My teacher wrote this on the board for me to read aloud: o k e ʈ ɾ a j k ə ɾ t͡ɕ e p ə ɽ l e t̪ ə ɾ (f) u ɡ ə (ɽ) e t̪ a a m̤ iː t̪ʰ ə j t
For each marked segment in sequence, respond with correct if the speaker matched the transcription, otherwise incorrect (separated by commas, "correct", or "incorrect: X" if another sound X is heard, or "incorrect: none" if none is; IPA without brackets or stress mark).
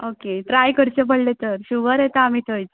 incorrect: ɕ, incorrect: ɾ